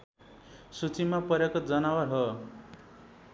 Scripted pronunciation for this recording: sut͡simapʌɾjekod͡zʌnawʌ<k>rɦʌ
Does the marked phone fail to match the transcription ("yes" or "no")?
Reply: yes